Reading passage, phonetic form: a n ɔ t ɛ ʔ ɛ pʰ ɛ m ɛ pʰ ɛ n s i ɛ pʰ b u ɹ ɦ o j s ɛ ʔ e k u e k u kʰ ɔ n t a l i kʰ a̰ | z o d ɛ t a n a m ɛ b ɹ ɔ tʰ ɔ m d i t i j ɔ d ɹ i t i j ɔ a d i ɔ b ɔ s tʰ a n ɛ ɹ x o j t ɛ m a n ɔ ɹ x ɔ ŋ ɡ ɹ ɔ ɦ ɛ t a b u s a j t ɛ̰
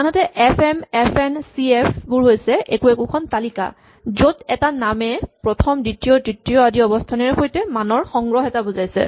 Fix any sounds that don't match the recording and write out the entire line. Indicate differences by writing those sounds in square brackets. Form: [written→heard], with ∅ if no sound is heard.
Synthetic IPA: a n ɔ t ɛ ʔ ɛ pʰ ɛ m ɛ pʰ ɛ n s i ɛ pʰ b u ɹ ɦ o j s ɛ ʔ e k u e k u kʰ ɔ n t a l i [kʰ→k] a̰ | z o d ɛ t a n a m ɛ [b→p] ɹ ɔ tʰ ɔ m d i t i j ɔ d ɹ i t i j ɔ a d i ɔ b ɔ s tʰ a n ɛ ɹ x o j t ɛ m a n ɔ ɹ x ɔ ŋ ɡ ɹ ɔ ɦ ɛ t a b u [s→z] a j [t→s] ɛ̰